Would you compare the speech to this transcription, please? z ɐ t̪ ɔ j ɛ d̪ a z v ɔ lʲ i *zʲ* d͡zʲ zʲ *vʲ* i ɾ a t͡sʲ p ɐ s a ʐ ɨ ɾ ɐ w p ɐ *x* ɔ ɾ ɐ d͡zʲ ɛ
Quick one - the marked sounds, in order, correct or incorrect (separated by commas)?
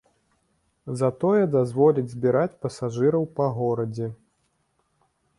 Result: incorrect, incorrect, incorrect